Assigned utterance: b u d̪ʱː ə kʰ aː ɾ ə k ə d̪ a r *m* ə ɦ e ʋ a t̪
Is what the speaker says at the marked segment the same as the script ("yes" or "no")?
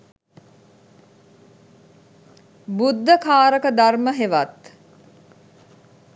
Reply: yes